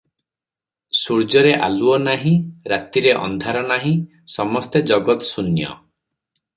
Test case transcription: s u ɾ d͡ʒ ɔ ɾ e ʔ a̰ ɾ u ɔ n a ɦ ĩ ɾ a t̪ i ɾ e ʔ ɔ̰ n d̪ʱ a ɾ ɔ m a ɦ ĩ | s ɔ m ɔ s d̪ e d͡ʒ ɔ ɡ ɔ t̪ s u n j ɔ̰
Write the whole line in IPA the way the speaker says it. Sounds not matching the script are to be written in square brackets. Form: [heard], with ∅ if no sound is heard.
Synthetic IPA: s u ɾ d͡ʒ ɔ ɾ e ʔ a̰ [l] u ɔ n a ɦ ĩ ɾ a t̪ i ɾ e ʔ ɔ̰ n d̪ʱ a ɾ ɔ [n] a ɦ ĩ | s ɔ m ɔ s [t̪] e d͡ʒ ɔ ɡ ɔ t̪ s u n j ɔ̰